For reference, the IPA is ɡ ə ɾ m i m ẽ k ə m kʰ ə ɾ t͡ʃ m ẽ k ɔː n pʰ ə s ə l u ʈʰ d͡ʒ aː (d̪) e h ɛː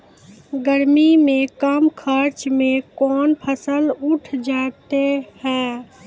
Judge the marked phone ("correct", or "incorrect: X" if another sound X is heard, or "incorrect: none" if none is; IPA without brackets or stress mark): incorrect: t̪